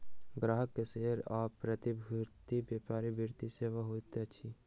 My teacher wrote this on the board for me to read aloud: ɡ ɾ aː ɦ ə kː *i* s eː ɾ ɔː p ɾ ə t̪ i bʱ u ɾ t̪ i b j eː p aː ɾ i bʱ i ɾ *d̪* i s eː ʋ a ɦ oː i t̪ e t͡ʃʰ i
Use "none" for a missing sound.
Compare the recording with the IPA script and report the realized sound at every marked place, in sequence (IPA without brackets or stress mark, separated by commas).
e, t̪